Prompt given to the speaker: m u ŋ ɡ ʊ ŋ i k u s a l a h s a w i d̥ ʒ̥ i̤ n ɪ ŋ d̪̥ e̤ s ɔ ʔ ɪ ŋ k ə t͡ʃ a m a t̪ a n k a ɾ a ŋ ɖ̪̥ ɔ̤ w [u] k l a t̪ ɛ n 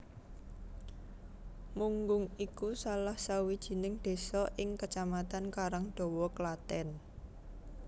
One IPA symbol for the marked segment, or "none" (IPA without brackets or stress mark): ɔ